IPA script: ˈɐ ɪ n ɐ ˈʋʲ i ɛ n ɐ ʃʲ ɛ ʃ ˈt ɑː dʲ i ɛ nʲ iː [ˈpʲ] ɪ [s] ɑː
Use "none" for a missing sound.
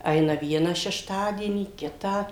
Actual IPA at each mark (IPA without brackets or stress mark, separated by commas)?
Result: kʲ, t